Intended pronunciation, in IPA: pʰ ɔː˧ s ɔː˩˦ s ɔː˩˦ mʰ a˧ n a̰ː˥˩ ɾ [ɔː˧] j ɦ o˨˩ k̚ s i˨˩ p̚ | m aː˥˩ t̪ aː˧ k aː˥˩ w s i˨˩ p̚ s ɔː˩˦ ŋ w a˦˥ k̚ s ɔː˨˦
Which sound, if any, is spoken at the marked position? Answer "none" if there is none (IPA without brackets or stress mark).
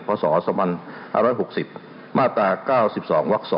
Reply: ɔː˦˥